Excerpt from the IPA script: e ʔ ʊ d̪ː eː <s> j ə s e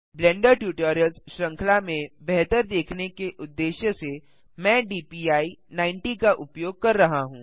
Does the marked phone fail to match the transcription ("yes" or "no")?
yes